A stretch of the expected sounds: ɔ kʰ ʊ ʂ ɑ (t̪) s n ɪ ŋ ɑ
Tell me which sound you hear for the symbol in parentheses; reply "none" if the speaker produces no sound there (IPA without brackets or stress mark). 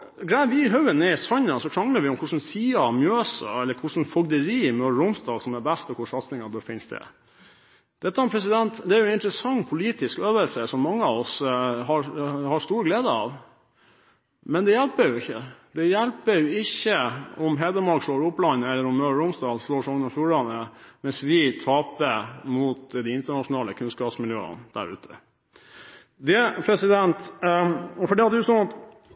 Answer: t̪